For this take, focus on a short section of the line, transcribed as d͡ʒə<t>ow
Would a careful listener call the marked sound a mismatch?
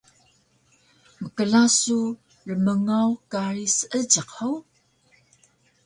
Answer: yes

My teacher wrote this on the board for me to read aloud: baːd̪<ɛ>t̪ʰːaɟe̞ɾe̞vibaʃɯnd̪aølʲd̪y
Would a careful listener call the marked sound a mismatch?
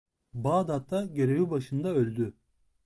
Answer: yes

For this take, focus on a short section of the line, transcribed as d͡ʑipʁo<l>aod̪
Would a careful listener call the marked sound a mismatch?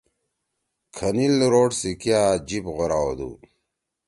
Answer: yes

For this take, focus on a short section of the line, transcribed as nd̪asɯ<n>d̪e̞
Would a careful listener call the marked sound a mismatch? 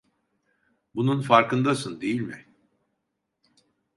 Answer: no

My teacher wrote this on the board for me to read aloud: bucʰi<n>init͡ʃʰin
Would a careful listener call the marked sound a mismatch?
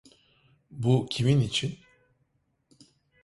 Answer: yes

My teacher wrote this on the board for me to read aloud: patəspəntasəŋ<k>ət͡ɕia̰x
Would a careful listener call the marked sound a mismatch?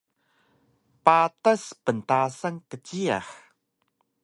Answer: no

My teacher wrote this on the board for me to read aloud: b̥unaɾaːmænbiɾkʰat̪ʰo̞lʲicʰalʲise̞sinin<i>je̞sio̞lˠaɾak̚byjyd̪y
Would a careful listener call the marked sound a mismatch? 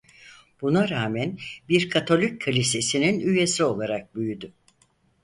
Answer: yes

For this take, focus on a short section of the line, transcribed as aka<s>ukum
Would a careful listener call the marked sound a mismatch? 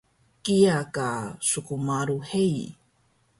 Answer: no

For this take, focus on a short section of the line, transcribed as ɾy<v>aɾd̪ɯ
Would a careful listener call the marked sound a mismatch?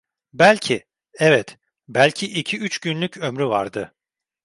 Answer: no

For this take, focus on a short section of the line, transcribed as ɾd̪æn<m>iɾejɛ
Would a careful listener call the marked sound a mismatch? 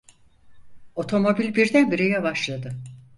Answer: yes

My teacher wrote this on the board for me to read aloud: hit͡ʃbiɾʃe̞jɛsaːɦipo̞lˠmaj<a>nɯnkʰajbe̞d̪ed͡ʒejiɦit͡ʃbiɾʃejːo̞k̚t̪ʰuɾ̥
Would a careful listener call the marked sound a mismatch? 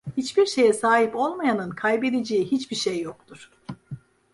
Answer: no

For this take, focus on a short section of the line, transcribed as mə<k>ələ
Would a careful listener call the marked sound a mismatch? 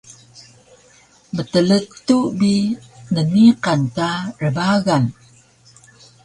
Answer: yes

